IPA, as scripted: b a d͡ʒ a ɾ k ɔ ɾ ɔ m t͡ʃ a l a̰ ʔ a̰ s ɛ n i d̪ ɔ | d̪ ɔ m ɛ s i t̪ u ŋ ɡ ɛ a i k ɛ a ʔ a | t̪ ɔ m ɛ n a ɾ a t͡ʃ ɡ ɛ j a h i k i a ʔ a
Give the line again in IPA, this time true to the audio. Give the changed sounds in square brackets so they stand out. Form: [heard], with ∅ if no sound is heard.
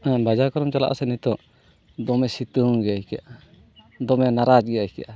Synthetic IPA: b a d͡ʒ a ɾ k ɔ ɾ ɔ m t͡ʃ a l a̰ ʔ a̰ s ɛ n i [t̪] ɔ | d̪ ɔ m ɛ s i t̪ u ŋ ɡ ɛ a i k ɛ a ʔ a | [d̪] ɔ m ɛ n a ɾ a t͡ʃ ɡ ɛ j a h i k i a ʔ a